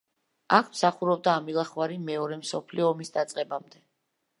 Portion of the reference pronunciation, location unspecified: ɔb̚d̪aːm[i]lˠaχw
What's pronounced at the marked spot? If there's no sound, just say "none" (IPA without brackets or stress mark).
i